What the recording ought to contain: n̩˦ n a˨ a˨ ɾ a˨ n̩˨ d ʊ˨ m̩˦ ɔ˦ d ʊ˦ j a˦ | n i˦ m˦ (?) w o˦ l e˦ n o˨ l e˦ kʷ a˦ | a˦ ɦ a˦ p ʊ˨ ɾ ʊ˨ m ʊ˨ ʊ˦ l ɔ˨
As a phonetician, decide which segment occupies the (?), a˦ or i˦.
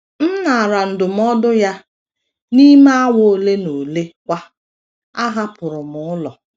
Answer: a˦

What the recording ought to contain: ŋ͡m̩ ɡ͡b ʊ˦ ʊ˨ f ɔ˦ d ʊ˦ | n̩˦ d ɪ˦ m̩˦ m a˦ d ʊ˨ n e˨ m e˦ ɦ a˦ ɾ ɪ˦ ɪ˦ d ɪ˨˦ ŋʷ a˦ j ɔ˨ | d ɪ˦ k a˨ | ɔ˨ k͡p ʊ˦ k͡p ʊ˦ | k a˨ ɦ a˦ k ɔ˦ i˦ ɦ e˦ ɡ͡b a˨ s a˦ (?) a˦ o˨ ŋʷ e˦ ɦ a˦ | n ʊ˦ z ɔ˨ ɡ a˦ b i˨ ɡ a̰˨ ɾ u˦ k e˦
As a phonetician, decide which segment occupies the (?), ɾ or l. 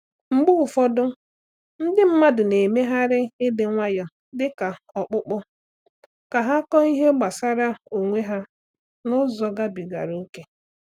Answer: ɾ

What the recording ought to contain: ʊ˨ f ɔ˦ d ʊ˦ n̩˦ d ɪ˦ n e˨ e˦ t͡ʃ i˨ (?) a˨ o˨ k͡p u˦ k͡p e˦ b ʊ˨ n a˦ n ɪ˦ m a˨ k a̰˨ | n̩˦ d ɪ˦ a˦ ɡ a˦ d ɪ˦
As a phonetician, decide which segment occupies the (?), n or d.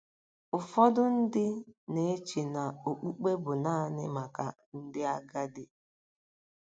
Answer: n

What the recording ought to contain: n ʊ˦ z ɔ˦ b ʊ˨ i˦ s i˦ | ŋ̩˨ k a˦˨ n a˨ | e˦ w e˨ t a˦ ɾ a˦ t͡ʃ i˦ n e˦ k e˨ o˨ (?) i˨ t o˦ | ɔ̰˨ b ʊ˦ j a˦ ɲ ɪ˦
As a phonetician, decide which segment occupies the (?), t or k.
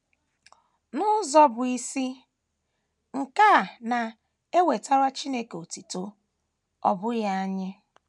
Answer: t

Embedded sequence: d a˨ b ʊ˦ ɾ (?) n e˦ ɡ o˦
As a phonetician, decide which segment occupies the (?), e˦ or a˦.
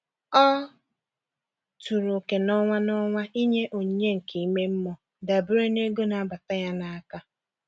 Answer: e˦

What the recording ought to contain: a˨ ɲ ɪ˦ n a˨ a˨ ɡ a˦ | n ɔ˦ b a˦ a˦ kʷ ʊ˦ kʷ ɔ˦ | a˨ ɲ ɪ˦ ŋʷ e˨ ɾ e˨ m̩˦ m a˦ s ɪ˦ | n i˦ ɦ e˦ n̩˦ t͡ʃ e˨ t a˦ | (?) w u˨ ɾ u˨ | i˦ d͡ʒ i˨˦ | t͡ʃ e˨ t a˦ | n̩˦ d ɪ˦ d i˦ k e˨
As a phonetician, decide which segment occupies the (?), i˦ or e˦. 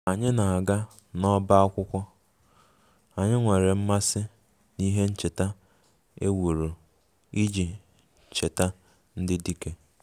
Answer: e˦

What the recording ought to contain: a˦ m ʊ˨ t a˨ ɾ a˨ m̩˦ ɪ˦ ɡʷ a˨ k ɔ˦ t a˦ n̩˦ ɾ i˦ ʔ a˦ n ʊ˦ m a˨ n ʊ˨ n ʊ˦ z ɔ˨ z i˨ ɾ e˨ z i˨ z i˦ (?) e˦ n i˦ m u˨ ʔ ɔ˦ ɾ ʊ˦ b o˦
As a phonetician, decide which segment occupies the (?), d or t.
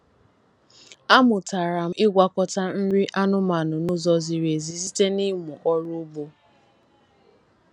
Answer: t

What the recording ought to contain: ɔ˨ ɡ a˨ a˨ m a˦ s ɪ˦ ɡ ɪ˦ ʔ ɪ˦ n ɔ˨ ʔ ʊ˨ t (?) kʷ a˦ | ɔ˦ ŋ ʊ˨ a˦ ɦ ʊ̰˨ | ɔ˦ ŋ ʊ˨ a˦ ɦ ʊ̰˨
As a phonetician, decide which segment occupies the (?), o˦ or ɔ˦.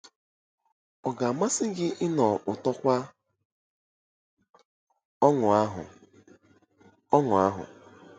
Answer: ɔ˦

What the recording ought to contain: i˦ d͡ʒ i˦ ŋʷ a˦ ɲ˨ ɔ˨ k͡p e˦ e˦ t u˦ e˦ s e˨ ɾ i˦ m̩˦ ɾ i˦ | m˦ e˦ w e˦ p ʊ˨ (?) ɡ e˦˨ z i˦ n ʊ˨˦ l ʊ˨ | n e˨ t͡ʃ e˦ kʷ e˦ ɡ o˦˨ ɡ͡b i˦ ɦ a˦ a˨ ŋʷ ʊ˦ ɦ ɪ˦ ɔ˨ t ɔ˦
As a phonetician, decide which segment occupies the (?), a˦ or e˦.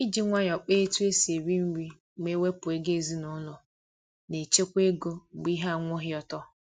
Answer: e˦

